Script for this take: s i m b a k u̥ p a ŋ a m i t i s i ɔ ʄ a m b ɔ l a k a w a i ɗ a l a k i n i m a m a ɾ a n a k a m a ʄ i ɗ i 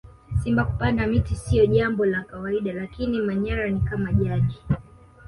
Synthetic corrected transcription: s i m b a k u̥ p a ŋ a m i t i s i ɔ ʄ a m b ɔ l a k a w a i ɗ a l a k i n i m a ɲ a ɾ a n i k a m a ʄ a ɗ i